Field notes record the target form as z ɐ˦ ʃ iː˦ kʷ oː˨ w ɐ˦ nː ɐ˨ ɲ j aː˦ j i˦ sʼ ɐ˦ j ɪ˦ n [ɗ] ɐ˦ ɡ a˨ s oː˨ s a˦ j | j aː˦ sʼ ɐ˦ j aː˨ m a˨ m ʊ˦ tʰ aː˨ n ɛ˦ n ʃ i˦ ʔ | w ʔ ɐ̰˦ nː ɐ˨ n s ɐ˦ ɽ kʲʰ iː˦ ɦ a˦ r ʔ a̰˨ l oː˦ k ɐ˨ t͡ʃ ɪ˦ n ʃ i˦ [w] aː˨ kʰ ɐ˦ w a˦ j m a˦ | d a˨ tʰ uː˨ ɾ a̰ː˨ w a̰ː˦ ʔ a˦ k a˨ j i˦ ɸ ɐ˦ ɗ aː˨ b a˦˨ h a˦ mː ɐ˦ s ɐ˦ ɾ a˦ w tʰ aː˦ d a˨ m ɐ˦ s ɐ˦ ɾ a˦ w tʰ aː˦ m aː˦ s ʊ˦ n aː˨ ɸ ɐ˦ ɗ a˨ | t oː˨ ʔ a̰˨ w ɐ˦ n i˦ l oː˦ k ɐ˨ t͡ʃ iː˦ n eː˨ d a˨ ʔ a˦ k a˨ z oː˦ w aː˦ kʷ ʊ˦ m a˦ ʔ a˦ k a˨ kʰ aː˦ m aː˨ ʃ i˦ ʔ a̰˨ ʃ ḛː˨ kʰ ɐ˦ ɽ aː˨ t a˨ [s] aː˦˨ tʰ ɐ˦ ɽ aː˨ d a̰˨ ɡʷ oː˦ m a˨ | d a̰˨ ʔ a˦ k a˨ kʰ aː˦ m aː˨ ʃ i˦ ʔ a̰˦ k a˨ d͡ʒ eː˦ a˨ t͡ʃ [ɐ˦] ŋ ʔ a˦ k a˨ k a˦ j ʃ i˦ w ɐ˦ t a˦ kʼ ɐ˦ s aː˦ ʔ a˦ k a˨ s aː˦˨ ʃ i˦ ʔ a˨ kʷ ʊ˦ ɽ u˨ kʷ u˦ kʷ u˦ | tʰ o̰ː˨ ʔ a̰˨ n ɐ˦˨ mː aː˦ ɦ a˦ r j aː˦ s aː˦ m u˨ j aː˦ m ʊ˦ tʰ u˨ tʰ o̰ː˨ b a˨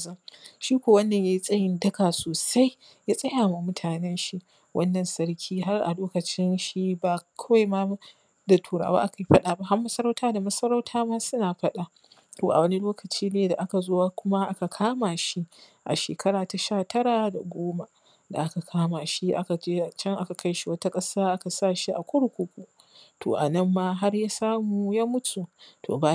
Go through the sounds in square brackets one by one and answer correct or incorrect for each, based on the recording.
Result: incorrect: d, incorrect: b, incorrect: ʃ, correct

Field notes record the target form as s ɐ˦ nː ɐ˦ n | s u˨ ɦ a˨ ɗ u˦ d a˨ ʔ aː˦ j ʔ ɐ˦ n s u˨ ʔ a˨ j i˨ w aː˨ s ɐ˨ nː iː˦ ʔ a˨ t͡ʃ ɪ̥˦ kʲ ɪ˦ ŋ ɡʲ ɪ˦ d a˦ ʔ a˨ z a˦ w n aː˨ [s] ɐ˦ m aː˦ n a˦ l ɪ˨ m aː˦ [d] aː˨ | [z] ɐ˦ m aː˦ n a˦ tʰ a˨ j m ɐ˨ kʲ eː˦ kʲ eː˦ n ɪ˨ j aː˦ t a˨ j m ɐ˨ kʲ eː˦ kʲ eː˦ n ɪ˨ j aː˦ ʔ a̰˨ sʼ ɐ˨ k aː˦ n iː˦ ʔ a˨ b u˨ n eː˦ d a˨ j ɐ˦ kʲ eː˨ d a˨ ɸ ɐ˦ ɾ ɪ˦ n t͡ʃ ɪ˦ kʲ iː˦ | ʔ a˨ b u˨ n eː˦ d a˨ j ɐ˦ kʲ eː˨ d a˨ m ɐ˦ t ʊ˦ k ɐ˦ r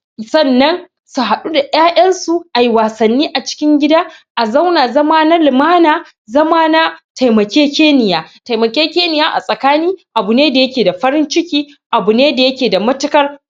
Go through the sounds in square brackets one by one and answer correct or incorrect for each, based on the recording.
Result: incorrect: z, incorrect: n, correct

